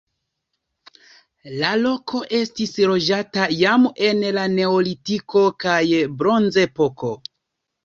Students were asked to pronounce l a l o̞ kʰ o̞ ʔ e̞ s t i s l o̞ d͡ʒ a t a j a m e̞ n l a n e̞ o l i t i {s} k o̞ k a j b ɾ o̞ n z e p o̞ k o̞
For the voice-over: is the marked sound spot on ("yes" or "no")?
no